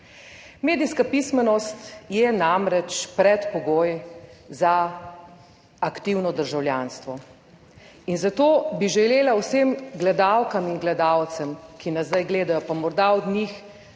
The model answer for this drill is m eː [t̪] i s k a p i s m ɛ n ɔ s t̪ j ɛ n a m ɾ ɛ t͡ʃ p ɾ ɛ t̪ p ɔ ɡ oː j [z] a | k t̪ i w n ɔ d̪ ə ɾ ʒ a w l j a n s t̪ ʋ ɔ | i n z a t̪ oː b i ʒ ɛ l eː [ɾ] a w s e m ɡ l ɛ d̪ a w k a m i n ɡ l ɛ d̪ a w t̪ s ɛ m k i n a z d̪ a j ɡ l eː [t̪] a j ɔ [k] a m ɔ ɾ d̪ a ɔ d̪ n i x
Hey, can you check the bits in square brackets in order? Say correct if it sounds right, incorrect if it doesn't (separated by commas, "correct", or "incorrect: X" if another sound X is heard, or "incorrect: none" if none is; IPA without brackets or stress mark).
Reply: incorrect: d̪, correct, incorrect: l, incorrect: d̪, incorrect: p